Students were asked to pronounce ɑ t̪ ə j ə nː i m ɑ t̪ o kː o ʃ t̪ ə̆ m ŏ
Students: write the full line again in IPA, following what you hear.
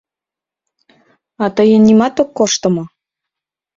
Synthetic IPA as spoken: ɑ t̪ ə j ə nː i m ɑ t̪ o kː o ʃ t̪ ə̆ m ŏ